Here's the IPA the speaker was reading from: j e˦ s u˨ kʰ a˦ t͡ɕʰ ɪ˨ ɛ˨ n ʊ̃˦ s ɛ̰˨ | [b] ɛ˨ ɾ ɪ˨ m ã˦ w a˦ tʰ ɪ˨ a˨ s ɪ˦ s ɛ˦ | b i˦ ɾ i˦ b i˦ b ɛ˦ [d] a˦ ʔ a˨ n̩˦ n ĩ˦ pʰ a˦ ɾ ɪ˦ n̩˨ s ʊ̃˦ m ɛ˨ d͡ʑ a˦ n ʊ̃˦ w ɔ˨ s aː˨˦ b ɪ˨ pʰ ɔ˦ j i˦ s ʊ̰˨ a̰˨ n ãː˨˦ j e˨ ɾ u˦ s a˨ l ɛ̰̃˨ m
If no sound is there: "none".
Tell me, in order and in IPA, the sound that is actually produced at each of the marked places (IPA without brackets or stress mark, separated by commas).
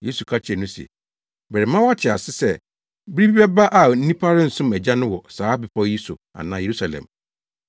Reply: b, b